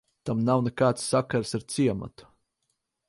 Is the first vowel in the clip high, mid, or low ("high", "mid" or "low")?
low